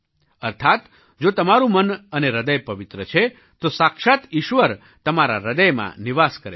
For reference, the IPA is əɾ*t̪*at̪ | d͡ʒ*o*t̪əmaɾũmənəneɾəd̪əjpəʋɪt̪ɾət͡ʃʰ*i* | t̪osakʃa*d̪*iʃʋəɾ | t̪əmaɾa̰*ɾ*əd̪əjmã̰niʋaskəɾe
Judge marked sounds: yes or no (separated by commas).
no, yes, no, no, yes